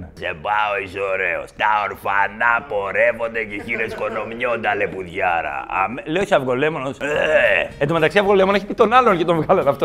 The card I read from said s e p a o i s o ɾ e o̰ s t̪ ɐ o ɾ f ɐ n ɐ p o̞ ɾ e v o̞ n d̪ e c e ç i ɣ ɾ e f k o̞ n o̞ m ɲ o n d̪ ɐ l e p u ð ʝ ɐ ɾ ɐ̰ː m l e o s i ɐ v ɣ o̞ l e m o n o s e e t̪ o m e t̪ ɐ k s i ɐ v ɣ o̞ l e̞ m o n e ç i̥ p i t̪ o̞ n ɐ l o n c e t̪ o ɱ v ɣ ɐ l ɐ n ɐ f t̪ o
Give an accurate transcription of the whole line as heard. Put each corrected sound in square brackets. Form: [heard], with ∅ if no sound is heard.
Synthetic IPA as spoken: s e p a o i s o ɾ e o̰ s t̪ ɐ o ɾ f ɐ n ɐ p o̞ ɾ e v o̞ n d̪ e c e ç i [∅] ɾ e [s] k o̞ n o̞ m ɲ o n d̪ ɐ l e p u ð ʝ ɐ ɾ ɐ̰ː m l e o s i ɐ v ɣ o̞ l e m o n o s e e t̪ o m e t̪ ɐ k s i ɐ v ɣ o̞ l e̞ m o n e ç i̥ p i t̪ o̞ n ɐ l o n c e t̪ o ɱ v ɣ ɐ l ɐ n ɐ f t̪ o